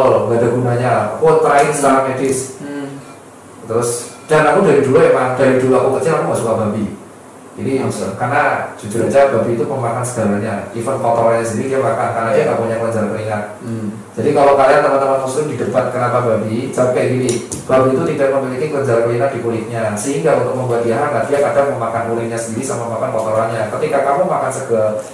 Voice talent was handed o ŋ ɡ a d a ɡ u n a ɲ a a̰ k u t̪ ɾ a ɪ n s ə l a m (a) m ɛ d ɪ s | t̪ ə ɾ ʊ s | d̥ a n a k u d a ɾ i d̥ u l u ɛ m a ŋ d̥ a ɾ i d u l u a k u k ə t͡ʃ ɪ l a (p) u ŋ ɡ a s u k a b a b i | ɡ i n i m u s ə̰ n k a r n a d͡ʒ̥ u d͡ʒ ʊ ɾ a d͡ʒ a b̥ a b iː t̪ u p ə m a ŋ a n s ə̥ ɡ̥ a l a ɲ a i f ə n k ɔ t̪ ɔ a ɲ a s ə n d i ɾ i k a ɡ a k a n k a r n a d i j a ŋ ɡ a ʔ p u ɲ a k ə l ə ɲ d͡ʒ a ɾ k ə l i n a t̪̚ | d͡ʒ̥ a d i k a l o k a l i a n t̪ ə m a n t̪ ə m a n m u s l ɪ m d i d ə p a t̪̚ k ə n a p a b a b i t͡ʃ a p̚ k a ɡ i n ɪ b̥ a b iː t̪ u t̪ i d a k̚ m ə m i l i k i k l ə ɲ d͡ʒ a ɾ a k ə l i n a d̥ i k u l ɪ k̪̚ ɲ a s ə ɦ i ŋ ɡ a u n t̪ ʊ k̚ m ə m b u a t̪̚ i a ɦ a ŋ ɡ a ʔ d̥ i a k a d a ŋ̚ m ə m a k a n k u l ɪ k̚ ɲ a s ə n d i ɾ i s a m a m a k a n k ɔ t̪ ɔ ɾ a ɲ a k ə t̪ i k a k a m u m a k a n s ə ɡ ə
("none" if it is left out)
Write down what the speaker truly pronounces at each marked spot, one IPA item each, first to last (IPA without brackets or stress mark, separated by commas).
a, k